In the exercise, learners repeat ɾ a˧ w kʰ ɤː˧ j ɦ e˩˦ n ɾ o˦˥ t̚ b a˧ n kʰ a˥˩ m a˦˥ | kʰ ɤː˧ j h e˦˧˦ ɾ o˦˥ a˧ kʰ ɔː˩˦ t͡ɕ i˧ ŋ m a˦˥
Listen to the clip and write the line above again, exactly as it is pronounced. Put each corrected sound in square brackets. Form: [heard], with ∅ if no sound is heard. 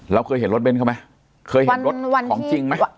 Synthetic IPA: ɾ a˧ w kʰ ɤː˧ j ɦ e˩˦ n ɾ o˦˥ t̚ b [e˧] n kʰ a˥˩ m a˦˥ | kʰ ɤː˧ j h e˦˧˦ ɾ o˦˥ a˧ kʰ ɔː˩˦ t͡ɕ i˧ ŋ m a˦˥